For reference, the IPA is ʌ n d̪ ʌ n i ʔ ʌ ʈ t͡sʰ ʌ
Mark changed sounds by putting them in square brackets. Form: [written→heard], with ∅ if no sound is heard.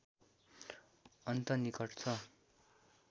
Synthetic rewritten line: ʌ n [d̪→t̪] ʌ n i [ʔ→k] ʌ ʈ t͡sʰ ʌ

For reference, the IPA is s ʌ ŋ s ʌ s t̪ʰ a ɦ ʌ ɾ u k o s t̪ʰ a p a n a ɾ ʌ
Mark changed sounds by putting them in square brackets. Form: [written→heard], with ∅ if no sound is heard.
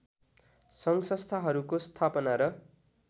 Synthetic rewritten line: s ʌ ŋ s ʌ s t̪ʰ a ɦ ʌ ɾ u k o s t̪ʰ a p [a→ʌ] n a ɾ ʌ

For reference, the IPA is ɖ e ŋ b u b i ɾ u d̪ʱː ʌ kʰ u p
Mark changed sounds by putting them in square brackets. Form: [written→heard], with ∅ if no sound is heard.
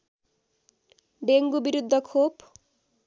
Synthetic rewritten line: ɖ e ŋ [b→ɡ] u b i ɾ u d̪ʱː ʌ kʰ [u→o] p

